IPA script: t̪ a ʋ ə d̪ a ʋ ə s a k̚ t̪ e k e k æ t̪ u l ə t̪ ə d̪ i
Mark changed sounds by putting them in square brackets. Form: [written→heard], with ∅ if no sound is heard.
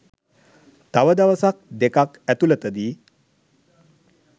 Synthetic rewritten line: t̪ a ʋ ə d̪ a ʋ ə s a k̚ [t̪→d̪] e k [e→a] k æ t̪ u l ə t̪ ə d̪ i